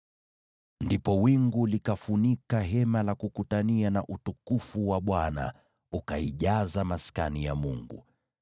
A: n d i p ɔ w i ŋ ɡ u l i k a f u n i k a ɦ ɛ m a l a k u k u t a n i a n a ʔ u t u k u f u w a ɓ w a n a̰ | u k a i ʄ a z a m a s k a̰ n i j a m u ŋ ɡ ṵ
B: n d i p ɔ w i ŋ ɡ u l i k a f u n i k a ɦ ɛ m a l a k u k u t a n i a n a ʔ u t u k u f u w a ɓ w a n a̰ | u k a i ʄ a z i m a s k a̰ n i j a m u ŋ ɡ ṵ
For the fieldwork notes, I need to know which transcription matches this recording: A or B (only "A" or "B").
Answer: A